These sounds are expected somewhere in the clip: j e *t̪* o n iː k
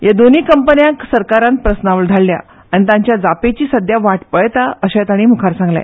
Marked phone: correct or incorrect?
incorrect